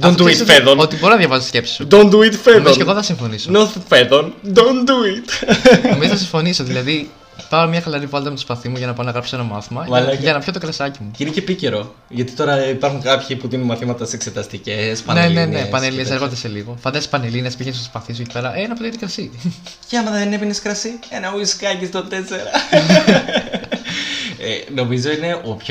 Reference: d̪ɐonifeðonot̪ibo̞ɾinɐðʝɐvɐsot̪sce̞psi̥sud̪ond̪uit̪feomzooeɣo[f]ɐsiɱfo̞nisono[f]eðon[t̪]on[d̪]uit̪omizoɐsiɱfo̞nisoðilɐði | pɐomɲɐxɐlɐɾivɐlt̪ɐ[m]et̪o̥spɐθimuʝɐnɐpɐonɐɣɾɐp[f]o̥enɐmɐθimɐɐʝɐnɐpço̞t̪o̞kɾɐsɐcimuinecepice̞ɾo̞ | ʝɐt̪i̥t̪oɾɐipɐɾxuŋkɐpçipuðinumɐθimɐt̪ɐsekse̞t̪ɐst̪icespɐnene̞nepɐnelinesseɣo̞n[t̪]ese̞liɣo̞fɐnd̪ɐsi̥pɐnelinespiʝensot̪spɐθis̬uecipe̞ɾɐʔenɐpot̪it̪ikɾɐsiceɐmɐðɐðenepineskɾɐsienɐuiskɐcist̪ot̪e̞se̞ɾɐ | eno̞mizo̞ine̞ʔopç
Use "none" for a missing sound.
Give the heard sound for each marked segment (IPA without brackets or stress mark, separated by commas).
θ, f, d̪, d̪, m, s, d̪